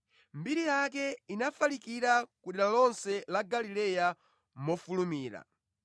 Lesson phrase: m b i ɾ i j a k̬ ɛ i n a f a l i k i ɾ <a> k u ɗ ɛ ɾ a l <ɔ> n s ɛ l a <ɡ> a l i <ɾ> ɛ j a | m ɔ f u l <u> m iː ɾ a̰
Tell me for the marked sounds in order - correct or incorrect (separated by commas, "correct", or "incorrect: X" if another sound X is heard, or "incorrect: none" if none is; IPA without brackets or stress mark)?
correct, correct, correct, incorrect: l, correct